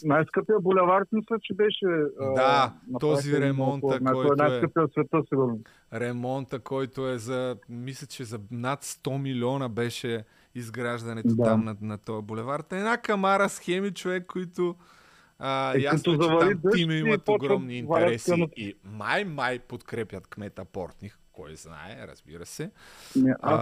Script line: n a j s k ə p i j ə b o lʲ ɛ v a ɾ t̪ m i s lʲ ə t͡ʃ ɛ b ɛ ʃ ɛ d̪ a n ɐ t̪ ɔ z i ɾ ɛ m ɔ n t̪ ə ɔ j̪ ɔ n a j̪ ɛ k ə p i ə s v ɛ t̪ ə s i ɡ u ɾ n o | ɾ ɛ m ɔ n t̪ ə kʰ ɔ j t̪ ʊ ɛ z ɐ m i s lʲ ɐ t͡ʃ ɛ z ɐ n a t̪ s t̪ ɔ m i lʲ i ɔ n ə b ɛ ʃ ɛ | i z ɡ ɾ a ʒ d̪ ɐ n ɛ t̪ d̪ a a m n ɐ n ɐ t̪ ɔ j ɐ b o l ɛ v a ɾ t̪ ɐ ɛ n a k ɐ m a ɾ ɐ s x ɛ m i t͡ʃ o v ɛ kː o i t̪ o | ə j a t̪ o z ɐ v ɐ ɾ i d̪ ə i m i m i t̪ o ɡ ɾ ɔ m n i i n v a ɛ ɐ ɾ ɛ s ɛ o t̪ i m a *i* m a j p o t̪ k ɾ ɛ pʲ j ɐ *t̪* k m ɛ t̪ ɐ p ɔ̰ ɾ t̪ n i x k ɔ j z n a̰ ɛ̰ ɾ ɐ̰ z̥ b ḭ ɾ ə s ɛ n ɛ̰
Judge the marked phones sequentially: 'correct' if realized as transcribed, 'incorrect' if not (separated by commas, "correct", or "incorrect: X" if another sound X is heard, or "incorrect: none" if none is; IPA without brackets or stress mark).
incorrect: j, correct